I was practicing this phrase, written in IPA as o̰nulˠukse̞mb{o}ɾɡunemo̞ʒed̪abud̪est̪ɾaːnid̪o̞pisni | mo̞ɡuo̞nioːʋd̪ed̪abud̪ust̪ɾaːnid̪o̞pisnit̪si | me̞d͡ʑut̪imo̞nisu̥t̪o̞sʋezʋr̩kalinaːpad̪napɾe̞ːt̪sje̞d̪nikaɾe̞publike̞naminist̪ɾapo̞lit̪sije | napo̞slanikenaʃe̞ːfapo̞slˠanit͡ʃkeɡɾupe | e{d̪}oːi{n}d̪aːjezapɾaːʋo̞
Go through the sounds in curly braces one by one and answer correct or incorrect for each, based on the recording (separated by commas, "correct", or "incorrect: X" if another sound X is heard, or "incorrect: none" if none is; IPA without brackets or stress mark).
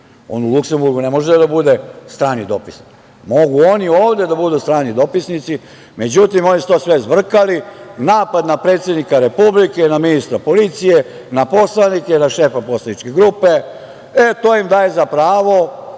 incorrect: u, incorrect: t̪, incorrect: m